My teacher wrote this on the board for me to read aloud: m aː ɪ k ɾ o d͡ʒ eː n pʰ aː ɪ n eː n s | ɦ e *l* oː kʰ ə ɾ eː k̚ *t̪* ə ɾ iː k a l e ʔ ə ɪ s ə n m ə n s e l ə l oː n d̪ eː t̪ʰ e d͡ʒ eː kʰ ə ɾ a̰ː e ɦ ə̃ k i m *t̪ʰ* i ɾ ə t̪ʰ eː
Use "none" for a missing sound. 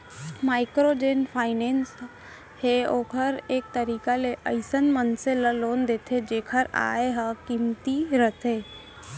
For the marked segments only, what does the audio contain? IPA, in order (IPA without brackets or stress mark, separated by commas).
none, t̪, t̪